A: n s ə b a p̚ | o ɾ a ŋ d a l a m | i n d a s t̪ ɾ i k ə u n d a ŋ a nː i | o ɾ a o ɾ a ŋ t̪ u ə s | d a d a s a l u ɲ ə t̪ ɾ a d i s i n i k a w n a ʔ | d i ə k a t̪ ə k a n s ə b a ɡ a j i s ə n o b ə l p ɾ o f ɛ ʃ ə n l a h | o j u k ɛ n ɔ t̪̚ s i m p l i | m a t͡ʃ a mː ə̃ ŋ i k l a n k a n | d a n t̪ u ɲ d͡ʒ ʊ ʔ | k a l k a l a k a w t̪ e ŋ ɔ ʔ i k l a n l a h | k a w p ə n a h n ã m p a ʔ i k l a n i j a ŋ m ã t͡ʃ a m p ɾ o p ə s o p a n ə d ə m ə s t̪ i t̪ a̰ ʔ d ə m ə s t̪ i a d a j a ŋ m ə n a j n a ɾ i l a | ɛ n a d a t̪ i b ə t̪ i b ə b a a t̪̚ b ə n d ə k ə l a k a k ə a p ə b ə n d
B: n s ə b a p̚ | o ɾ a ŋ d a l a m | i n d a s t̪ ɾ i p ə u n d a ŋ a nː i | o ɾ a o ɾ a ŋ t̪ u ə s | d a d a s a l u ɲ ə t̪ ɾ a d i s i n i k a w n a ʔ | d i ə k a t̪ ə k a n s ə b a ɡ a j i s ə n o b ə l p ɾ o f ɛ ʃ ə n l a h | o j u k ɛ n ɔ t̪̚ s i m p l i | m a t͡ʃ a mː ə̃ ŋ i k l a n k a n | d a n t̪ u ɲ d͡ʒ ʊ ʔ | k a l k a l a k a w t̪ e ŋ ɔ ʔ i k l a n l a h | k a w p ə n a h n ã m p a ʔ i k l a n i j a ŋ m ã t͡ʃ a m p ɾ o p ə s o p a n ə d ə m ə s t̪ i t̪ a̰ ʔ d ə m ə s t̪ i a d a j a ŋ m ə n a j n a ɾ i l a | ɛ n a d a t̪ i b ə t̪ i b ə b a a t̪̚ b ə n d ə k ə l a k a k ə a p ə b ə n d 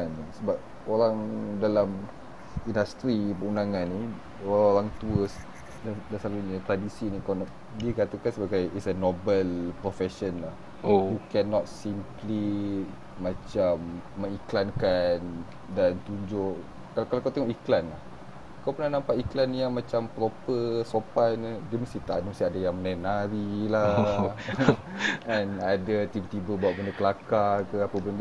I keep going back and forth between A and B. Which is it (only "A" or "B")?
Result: B